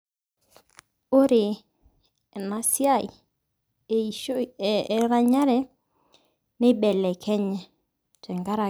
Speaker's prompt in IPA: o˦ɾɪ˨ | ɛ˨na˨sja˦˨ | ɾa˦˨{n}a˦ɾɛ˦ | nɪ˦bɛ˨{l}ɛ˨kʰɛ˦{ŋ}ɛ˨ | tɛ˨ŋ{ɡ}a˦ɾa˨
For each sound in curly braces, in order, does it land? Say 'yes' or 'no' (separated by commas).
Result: no, yes, no, yes